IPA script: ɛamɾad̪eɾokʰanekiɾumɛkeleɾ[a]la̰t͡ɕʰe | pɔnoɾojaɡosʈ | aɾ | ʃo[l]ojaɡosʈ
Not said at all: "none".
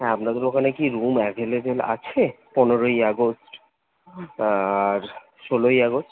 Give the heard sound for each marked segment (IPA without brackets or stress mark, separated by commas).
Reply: e, l